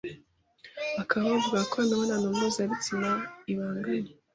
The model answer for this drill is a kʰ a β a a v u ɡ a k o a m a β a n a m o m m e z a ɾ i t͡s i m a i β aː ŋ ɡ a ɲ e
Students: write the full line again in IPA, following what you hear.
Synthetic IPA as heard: a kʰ a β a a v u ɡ a k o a n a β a n a n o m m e z a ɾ i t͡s i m a i β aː ŋ ɡ a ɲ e